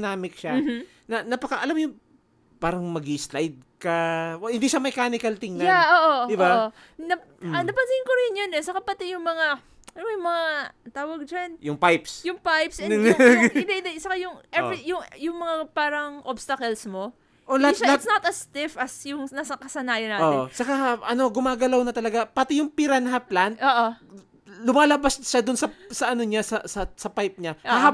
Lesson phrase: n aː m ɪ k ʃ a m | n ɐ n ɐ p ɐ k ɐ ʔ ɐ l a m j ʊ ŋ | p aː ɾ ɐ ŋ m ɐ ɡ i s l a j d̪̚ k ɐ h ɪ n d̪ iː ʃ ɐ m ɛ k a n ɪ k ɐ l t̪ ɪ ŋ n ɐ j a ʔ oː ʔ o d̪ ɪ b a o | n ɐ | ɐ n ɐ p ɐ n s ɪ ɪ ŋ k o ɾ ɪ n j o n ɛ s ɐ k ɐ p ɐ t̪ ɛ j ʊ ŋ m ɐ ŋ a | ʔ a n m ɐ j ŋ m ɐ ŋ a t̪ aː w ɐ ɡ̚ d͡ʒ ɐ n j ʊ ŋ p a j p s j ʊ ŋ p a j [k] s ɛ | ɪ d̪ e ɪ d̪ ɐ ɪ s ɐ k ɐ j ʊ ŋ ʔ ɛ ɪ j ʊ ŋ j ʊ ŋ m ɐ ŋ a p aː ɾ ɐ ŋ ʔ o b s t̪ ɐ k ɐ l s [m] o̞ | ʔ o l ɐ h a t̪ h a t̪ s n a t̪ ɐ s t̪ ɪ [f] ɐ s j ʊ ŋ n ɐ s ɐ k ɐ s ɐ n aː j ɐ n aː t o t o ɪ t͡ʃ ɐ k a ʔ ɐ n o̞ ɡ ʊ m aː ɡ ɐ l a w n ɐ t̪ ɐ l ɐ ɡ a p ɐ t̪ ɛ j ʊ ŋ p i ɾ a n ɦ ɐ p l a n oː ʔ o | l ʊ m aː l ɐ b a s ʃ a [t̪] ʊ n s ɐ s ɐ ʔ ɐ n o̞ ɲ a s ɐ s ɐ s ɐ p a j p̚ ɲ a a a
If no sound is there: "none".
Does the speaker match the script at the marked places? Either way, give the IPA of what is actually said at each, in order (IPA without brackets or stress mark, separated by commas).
p, m, f, d̪